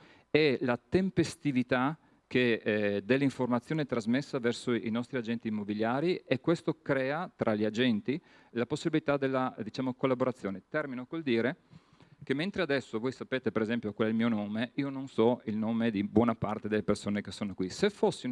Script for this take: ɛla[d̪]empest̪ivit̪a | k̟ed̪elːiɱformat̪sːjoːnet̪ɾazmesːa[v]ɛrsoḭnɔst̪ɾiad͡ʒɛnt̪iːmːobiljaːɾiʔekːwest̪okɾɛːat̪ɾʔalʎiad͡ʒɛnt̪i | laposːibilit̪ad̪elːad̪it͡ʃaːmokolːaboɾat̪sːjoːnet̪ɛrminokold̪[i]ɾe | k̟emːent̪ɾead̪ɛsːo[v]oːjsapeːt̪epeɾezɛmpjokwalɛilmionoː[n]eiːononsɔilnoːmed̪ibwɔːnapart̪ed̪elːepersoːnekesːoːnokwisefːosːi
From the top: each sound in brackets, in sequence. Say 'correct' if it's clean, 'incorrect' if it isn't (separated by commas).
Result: incorrect, correct, incorrect, correct, incorrect